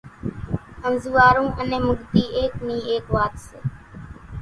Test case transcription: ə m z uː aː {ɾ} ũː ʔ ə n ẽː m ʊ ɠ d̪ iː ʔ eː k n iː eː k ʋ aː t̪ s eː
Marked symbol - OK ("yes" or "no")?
yes